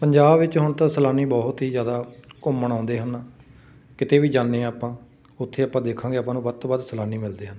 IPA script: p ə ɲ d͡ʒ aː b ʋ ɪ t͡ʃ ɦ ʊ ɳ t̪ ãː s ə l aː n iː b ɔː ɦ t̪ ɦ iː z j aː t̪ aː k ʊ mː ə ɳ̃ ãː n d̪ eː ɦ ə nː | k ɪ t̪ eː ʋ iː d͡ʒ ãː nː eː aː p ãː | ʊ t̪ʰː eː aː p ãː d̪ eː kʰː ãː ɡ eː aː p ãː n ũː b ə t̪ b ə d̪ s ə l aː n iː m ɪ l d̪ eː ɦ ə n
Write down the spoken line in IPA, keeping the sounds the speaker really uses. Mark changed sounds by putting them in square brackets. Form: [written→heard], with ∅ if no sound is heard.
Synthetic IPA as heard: p ə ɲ d͡ʒ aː b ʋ ɪ t͡ʃ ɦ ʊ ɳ t̪ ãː s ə l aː n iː b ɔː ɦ t̪ ɦ iː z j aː [t̪→d̪] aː k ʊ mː ə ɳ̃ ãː n d̪ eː ɦ ə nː | k ɪ t̪ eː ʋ iː d͡ʒ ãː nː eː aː p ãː | ʊ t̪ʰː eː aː p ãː d̪ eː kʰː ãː ɡ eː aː p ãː n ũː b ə t̪ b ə d̪ s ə l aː n iː m ɪ l d̪ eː ɦ ə n